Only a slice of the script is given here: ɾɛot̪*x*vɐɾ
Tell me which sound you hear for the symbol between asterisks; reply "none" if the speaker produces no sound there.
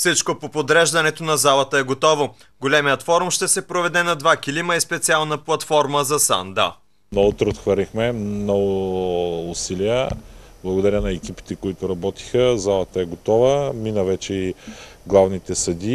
x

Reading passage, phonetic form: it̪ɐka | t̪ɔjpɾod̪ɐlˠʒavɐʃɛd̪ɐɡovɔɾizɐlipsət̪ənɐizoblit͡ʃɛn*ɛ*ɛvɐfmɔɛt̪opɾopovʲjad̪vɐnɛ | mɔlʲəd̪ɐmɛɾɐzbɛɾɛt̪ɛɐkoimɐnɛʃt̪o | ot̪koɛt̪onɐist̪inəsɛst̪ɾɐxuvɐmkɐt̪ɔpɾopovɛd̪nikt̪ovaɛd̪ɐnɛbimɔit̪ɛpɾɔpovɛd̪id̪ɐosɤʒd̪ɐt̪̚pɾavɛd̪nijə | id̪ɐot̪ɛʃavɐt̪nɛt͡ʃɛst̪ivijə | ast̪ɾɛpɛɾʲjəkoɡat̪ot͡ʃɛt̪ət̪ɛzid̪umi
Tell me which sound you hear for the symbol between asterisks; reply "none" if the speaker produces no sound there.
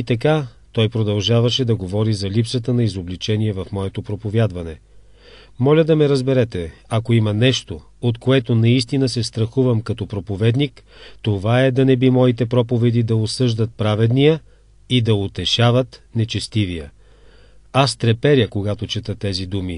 i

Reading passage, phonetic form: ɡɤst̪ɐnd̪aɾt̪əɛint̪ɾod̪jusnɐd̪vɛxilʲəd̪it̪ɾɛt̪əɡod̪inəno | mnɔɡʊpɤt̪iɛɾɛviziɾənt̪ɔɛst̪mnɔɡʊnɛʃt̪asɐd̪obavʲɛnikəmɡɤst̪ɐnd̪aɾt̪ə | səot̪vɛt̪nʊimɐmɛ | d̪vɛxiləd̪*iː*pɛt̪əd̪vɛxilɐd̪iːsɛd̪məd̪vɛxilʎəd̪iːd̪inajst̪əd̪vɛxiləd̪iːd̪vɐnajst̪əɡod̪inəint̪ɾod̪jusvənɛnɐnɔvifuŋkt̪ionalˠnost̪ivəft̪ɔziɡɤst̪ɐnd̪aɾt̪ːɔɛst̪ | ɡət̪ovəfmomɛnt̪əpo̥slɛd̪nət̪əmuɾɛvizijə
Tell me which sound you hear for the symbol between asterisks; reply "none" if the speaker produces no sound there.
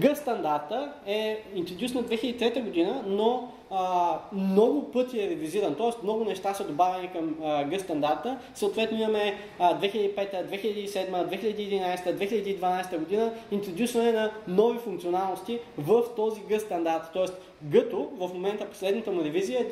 i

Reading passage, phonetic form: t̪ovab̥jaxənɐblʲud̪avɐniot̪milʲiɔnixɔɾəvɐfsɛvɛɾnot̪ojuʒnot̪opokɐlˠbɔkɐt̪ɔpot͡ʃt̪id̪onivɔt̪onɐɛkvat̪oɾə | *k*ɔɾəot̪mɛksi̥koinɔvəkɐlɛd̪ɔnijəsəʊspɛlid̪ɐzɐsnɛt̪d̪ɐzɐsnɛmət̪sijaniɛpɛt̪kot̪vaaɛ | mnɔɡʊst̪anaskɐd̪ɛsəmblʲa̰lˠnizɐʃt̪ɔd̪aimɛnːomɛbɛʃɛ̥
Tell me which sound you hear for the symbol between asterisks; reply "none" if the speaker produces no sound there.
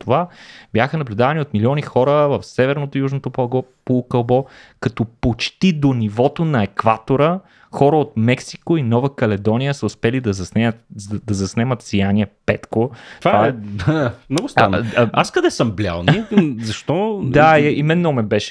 x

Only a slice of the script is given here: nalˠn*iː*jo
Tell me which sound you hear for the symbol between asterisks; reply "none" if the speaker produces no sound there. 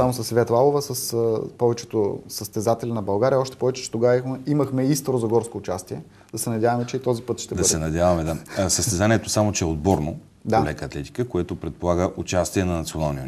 i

